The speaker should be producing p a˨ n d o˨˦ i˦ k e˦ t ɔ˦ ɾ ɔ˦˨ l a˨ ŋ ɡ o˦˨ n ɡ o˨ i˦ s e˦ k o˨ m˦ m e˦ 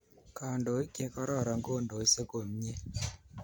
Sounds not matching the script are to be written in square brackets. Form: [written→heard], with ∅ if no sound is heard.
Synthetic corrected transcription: [p→k] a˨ n d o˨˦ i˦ k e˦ [t→k] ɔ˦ ɾ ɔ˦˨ [l→ɾ] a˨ ŋ ɡ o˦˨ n [ɡ→d] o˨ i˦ s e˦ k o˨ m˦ [m→ɲ] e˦